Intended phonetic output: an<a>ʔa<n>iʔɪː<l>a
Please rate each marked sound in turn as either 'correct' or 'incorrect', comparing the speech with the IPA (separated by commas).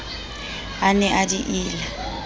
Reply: incorrect, incorrect, correct